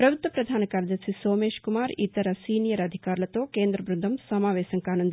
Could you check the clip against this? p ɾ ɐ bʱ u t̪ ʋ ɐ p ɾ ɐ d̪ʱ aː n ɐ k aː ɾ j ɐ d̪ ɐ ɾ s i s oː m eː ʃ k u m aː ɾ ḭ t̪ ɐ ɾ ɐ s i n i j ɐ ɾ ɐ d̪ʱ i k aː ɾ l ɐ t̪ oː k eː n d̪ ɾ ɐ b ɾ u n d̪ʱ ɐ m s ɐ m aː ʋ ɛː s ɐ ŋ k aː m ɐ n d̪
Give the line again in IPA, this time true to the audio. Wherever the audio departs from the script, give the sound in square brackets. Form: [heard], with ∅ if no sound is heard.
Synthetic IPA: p ɾ ɐ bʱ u t̪ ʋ ɐ p ɾ ɐ d̪ʱ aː n ɐ k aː ɾ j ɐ d̪ ɐ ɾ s i s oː m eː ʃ k u m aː ɾ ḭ t̪ ɐ ɾ ɐ s [iː] n i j ɐ ɾ ɐ d̪ʱ i k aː ɾ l ɐ t̪ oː k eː n d̪ ɾ ɐ b ɾ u n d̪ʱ ɐ m s ɐ m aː ʋ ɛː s ɐ ŋ k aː [n] ɐ n d̪